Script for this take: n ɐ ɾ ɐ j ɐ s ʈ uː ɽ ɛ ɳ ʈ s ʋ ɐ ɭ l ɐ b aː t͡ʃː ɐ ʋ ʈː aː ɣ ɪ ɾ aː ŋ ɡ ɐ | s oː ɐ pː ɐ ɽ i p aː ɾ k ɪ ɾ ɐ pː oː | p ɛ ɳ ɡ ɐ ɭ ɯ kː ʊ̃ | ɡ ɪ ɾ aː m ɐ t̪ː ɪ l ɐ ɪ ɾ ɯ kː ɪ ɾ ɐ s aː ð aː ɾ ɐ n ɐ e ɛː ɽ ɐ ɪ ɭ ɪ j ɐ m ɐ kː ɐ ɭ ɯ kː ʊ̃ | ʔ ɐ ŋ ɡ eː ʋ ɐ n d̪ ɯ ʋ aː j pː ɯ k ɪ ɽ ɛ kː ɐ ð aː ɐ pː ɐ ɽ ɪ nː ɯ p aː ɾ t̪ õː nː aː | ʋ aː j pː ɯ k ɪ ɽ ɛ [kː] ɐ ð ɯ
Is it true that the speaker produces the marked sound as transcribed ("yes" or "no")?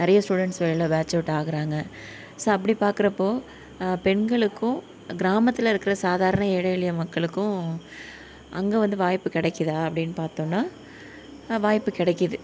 yes